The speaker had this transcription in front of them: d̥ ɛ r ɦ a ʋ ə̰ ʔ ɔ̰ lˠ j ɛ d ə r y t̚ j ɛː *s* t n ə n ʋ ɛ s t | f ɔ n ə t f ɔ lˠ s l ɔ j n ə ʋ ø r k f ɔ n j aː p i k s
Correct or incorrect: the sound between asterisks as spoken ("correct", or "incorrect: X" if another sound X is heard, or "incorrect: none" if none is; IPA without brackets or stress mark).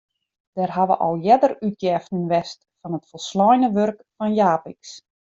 incorrect: f